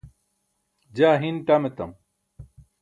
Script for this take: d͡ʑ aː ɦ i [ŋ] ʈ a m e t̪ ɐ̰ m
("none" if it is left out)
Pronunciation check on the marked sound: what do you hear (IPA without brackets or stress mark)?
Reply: n